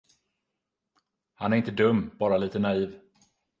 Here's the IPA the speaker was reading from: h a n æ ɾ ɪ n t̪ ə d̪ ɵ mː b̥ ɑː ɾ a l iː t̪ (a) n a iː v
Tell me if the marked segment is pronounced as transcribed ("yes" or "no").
no